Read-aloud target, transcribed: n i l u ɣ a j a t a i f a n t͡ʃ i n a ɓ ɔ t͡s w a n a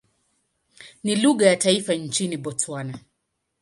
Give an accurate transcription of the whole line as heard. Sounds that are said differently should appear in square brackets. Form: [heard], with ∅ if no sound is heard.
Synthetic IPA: n i l u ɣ a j a t a i f a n t͡ʃ i n [i] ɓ ɔ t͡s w a n a